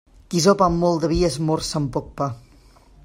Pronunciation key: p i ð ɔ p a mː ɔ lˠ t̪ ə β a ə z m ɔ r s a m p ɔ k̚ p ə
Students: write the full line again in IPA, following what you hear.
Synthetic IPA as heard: k i z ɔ p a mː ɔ lˠ d̪ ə β i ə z m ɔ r s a m p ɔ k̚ p a

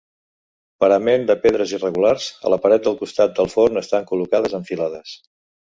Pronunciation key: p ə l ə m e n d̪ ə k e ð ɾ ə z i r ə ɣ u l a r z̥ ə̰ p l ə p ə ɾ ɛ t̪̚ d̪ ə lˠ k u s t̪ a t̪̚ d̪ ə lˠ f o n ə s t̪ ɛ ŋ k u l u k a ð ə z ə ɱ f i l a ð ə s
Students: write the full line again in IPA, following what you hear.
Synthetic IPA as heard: p ə ɾ ə m e n d̪ ə p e ð ɾ ə z i r ə ɣ u l a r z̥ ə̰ l ə p ə ɾ ɛ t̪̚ d̪ ə lˠ k u s t̪ a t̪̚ d̪ ə lˠ f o n ə s t̪ a ŋ k u l u k a ð ə z ə ɱ f i l a ð ə s

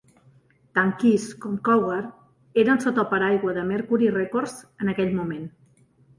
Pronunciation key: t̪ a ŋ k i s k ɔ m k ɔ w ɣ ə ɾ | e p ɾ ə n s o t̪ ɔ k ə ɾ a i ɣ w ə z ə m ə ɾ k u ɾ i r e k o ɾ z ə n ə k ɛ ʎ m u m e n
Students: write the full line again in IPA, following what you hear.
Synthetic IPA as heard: t̪ a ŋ k i s k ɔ m k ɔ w ɣ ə ɾ | e ɾ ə n s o t̪ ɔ p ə ɾ a j ɣ w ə ð ə m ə ɾ k u ɾ i r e k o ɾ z ə n ə k ɛ ʎ m u m e n

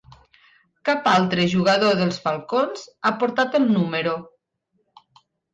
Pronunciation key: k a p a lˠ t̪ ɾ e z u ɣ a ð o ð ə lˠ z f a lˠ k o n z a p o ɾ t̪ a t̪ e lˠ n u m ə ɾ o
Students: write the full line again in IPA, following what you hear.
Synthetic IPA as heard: k a p a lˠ t̪ ɾ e ʒ u ɣ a ð o ð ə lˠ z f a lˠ k o n z a p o ɾ t̪ a t̪ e lˠ n u m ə ɾ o

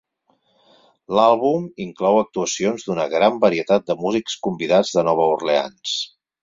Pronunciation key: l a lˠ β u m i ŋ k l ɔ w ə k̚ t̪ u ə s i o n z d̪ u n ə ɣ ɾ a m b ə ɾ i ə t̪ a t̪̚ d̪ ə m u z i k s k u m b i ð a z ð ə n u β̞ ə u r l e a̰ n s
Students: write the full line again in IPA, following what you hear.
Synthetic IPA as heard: l a lˠ β u m i ŋ k l ɔ w ə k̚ t̪ u ə s i o n z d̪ u n ə ɣ ɾ a m b ə ɾ i ə t̪ a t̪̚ d̪ ə m u z i k s k u m b i ð a d͡z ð ə n ɔ β̞ ə u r l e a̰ n s

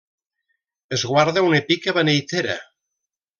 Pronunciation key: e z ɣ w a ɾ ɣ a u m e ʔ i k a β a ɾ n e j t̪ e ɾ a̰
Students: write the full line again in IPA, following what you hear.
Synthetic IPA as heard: e z ɣ w a ɾ ð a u n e p i k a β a n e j t̪ e ɾ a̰

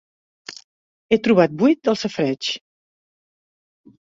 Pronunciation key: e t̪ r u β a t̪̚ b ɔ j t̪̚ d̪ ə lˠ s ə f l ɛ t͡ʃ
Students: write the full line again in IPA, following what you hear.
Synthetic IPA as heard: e t̪ ɾ u β a t̪̚ b u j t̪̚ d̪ ə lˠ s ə f ɾ ɛ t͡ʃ

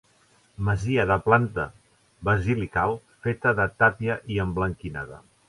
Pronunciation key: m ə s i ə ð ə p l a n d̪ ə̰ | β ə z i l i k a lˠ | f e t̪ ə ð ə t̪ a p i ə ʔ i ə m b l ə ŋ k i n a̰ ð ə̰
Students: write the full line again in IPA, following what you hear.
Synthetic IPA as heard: m ə z i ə ð ə p l a n t̪ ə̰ | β ə z i l i k a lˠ | f e t̪ ə ð ə t̪ a p i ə ʔ i ə m b l ə ŋ k i n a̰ ð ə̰

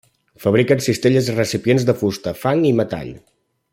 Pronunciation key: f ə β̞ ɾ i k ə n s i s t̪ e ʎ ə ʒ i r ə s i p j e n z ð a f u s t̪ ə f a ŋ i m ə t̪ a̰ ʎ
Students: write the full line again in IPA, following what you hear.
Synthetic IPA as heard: f ə β̞ ɾ i k ə n s i s t̪ e ʎ ə z i r ə s i p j e n z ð ə f u s t̪ ə f a ŋ i m ə t̪ a̰ ʎ

